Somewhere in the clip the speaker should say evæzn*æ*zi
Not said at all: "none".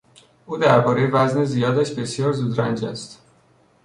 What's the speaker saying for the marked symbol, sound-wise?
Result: e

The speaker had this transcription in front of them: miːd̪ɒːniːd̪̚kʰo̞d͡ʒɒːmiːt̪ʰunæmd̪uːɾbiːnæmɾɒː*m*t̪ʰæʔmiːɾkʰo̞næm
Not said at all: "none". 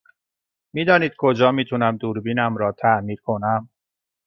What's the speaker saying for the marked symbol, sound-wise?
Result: none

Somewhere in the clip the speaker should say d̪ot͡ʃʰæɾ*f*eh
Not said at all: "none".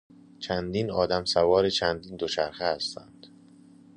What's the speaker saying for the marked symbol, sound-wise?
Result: x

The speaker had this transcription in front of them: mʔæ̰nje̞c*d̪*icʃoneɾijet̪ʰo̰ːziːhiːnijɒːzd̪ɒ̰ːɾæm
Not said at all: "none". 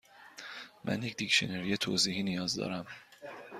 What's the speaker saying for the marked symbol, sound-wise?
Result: d̪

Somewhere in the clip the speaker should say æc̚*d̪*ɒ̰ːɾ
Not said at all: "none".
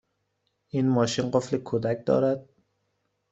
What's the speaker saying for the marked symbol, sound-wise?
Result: d̪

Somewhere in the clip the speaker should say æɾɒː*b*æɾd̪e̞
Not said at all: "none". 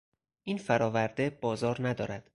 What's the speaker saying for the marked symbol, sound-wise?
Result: v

